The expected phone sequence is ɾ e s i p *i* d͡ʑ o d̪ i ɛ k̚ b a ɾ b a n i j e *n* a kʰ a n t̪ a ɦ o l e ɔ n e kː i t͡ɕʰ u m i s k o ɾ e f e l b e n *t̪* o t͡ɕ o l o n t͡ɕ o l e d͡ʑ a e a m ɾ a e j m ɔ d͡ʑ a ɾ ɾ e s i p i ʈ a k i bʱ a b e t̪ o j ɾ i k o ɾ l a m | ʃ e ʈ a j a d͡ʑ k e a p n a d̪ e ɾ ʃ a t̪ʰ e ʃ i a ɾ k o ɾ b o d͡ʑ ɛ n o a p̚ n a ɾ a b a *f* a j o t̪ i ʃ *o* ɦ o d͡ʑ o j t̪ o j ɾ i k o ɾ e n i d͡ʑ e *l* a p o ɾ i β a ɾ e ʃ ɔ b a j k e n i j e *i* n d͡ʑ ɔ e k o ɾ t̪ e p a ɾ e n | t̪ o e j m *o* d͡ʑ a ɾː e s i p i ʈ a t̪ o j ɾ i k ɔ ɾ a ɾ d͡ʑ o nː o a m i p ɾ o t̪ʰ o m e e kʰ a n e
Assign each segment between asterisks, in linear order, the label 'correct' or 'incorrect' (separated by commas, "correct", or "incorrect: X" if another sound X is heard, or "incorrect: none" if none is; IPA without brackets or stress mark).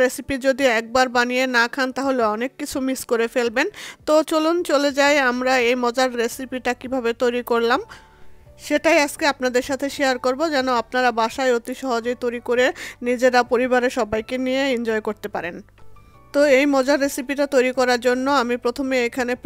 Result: correct, correct, correct, incorrect: ʃ, incorrect: ɔ, incorrect: ɾ, correct, incorrect: ɔ